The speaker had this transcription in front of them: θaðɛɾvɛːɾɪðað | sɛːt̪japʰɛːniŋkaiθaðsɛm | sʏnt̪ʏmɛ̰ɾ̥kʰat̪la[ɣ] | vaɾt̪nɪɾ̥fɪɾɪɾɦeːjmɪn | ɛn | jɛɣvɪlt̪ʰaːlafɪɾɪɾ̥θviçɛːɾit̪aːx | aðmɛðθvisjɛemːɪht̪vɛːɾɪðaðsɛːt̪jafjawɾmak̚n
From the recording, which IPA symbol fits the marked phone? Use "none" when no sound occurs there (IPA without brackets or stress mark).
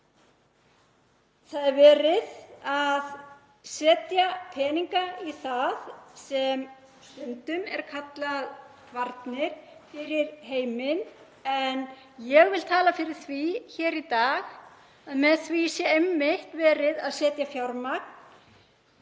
ð